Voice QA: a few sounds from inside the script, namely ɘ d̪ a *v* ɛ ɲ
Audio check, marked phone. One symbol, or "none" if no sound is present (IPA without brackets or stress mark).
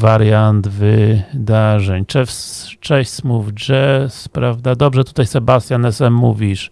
ʐ